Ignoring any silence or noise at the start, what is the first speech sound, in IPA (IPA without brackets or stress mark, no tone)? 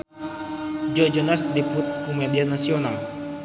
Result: d͡ʒ